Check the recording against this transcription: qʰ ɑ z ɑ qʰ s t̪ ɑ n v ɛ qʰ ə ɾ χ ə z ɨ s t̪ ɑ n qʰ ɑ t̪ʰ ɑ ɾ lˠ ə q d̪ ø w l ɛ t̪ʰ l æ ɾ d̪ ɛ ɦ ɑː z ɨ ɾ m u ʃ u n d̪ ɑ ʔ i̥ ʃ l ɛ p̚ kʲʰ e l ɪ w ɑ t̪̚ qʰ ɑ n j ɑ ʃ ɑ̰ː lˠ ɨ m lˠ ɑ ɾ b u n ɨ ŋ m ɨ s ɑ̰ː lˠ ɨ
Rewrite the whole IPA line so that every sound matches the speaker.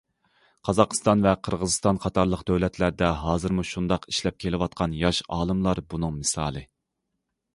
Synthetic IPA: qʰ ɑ z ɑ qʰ s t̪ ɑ n v ɛ qʰ ə ɾ ʁ ə z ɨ s t̪ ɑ n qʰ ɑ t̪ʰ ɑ ɾ lˠ ə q d̪ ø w l ɛ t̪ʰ l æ ɾ d̪ ɛ ɦ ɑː z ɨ ɾ m u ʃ u n d̪ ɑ q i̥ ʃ l ɛ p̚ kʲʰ e l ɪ w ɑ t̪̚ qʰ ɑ n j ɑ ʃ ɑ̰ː lˠ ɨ m lˠ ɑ ɾ b u n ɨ ŋ m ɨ s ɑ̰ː lˠ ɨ